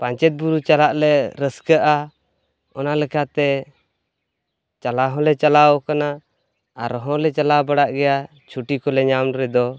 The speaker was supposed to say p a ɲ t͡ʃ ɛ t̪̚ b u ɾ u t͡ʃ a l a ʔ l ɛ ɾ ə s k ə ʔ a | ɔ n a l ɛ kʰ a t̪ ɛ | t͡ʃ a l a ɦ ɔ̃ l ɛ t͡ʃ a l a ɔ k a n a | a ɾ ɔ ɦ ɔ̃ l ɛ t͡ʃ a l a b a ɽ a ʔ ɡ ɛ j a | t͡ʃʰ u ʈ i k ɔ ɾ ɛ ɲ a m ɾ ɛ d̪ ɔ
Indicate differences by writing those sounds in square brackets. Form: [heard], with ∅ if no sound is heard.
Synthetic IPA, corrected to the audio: p a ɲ t͡ʃ ɛ t̪̚ b u ɾ u t͡ʃ a l a ʔ l ɛ ɾ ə s k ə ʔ a | ɔ n a l ɛ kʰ a t̪ ɛ | t͡ʃ a l a ɦ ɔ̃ l ɛ t͡ʃ a l a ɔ k a n a | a ɾ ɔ ɦ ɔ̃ l ɛ t͡ʃ a l a b a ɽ a ʔ ɡ ɛ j a | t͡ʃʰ u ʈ i k ɔ [l] ɛ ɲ a m ɾ ɛ d̪ ɔ